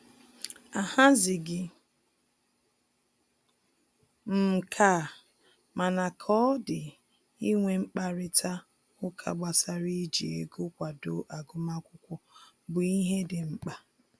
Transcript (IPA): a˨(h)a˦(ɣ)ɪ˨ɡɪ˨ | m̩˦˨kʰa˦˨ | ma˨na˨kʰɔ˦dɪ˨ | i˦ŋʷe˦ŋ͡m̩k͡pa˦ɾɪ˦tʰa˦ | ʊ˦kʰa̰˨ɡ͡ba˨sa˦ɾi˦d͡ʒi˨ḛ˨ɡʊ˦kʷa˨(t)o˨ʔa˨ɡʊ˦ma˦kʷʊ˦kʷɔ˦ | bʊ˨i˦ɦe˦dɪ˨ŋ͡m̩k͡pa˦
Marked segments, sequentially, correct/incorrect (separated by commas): correct, incorrect, incorrect